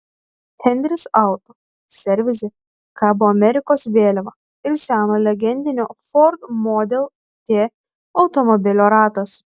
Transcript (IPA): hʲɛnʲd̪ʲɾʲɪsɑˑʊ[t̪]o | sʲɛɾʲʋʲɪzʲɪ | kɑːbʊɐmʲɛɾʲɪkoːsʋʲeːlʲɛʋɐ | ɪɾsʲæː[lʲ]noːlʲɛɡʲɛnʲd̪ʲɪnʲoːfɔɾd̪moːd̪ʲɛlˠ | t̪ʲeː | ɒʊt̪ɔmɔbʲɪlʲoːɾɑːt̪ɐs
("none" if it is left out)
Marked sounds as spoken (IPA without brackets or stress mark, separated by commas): t̪, none